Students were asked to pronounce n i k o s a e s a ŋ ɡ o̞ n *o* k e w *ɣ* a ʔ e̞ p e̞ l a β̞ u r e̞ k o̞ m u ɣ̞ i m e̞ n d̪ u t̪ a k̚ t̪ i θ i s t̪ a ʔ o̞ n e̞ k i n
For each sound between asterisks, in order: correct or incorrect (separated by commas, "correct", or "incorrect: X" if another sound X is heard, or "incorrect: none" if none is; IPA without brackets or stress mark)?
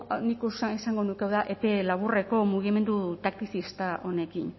incorrect: u, incorrect: ð